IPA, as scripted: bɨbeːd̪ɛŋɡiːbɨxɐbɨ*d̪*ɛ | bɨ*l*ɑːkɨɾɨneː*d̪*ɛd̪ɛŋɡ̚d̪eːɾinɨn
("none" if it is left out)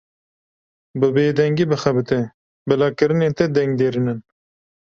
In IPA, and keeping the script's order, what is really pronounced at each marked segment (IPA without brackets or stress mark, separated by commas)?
t̪, l, t̪